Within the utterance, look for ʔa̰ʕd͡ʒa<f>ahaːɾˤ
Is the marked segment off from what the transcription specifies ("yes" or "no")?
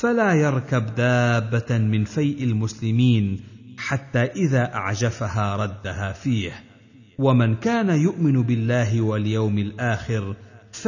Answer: no